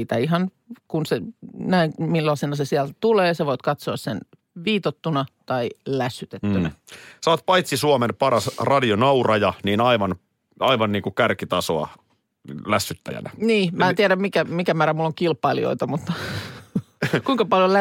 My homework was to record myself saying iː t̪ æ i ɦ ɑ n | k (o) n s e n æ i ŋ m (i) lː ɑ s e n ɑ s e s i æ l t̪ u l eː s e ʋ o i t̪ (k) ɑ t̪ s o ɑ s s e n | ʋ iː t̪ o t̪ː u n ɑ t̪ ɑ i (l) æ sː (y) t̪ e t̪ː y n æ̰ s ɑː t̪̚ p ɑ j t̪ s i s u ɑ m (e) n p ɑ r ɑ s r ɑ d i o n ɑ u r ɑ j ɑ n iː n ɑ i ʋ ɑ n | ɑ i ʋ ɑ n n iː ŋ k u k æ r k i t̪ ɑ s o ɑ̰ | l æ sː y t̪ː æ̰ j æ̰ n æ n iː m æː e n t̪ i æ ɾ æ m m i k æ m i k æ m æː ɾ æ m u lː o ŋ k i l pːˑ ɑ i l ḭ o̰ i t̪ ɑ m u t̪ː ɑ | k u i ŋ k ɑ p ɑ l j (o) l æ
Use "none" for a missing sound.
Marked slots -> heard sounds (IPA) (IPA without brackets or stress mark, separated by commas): u, i, k, l, y, e, o